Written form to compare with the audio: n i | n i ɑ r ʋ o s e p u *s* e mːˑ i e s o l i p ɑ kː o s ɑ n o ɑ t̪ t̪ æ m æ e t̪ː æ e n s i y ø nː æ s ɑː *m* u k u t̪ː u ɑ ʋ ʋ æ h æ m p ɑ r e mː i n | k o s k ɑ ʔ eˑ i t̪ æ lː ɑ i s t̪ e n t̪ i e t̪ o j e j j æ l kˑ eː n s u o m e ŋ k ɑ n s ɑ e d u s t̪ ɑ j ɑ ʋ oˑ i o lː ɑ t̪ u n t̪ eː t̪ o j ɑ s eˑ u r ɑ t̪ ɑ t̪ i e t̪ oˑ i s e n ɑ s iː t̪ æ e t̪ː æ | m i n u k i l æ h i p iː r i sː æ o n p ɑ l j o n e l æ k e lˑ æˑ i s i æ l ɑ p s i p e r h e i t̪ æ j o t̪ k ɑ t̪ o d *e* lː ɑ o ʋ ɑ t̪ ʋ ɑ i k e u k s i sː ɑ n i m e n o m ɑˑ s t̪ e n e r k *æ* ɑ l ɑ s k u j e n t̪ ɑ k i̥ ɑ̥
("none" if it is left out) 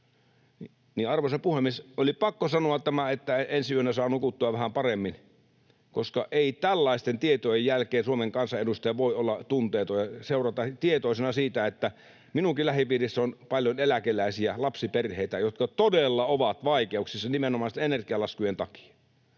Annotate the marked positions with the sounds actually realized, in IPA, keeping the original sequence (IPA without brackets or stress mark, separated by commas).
h, n, e, i